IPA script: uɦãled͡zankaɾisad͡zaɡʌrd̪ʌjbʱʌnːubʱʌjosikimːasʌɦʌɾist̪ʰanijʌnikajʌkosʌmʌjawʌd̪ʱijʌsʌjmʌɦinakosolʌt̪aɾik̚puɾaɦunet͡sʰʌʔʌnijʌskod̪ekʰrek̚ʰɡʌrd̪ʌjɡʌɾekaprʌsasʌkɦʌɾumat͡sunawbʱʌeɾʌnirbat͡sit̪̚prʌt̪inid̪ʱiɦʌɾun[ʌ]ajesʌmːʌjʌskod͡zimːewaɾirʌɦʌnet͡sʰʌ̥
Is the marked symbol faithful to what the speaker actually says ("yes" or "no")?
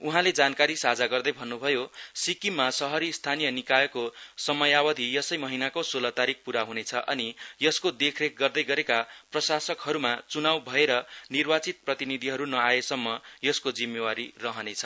yes